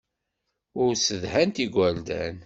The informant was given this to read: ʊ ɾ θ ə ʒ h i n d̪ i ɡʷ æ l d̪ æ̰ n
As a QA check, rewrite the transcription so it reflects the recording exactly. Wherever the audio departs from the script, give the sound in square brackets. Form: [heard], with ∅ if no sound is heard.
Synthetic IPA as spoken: ʊ ɾ [s] ə [ð] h [æ] n [t̪] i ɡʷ æ l d̪ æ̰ n